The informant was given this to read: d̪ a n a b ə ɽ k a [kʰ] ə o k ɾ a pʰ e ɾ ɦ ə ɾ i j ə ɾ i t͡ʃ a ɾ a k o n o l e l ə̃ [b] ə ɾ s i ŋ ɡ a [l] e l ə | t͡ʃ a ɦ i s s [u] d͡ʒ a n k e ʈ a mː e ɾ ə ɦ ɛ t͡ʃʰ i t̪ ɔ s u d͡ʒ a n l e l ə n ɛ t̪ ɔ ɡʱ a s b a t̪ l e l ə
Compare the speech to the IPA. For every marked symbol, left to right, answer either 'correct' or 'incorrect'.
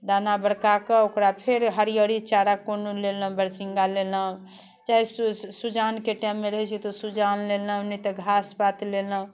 incorrect: k, correct, correct, correct

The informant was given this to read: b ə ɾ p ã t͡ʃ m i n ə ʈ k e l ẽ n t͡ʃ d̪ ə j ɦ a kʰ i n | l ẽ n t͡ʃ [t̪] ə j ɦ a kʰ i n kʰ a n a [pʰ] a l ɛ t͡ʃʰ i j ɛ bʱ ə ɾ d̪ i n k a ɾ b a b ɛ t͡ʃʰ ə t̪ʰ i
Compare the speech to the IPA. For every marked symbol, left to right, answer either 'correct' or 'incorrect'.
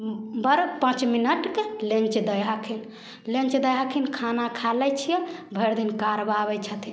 incorrect: d̪, incorrect: kʰ

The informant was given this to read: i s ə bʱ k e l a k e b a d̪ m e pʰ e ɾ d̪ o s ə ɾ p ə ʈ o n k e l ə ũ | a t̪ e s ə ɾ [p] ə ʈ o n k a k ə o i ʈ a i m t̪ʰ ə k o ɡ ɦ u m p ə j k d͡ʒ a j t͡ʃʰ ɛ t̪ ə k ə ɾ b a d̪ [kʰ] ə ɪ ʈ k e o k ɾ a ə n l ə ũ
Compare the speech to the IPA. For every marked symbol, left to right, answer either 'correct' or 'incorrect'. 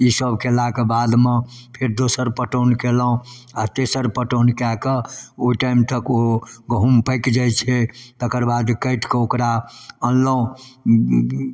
correct, incorrect: k

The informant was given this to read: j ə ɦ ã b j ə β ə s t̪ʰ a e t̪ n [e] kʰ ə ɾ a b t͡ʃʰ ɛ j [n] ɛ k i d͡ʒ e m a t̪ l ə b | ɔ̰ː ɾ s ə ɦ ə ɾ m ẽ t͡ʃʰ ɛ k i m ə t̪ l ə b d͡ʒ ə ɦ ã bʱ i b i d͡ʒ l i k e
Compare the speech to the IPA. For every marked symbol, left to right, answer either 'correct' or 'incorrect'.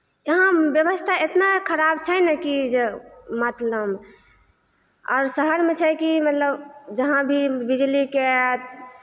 incorrect: a, correct

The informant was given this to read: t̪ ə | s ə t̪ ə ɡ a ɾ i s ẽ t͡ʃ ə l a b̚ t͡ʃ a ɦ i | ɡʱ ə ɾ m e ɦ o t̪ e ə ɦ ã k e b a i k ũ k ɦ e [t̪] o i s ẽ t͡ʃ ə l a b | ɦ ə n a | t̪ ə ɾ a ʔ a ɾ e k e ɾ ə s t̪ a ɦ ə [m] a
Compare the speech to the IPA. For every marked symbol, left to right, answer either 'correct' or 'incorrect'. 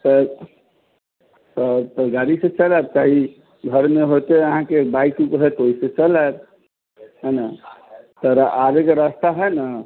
correct, incorrect: n

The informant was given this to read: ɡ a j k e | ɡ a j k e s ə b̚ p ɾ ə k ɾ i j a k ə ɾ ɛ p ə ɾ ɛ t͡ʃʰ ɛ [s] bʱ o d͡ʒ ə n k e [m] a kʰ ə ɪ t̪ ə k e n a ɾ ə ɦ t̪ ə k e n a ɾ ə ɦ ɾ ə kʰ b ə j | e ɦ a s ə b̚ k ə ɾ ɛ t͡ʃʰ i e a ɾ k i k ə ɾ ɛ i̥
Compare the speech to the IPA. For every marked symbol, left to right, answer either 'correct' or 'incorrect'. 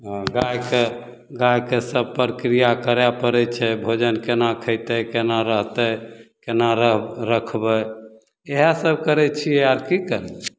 incorrect: none, incorrect: n

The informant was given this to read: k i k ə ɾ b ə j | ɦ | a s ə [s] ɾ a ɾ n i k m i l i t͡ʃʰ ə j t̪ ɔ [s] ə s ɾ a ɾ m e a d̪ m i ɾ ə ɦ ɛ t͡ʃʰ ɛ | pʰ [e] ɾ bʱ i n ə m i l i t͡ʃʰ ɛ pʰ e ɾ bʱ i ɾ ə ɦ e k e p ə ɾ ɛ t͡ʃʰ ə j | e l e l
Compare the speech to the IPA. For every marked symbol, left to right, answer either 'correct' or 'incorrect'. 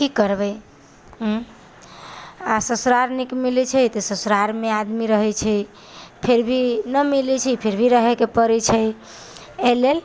correct, correct, correct

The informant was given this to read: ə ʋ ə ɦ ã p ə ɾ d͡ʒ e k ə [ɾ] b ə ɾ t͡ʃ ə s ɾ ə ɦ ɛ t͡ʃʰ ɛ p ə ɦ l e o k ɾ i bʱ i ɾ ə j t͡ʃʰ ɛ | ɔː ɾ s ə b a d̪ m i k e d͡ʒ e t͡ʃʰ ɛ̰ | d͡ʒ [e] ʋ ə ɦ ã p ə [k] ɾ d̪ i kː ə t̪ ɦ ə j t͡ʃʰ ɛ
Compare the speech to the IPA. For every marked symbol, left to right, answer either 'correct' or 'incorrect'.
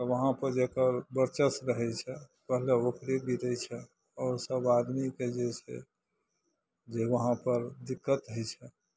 correct, correct, incorrect: none

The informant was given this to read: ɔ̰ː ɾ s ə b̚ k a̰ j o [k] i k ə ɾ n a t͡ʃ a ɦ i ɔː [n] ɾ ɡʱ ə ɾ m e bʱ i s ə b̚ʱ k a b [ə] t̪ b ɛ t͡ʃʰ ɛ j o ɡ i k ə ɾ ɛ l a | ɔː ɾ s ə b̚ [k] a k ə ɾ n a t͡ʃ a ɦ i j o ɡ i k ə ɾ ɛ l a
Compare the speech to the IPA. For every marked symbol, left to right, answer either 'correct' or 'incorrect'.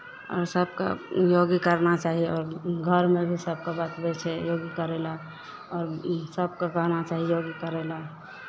incorrect: ɡ, incorrect: none, incorrect: a, correct

